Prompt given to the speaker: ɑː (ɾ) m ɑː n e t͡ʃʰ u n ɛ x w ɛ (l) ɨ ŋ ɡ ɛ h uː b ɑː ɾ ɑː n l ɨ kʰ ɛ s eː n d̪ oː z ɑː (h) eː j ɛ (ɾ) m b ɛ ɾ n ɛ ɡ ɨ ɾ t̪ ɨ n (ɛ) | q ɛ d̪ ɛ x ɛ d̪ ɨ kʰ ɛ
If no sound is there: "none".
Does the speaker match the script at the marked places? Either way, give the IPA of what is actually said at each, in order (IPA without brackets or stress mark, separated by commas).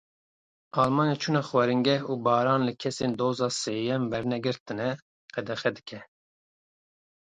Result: l, ɾ, s, none, ɛ